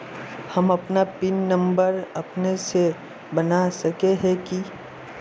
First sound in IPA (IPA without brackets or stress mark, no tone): h